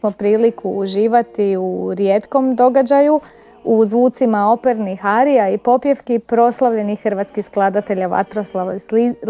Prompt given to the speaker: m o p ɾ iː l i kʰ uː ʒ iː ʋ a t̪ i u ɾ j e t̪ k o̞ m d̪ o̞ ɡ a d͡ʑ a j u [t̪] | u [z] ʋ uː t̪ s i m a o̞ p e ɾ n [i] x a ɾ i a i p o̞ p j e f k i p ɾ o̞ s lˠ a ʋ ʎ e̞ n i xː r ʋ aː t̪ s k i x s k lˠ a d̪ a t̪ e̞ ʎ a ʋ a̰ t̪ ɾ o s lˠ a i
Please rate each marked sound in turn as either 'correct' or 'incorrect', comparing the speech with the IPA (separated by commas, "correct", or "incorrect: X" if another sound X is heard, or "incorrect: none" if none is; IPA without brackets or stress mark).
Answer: incorrect: none, correct, correct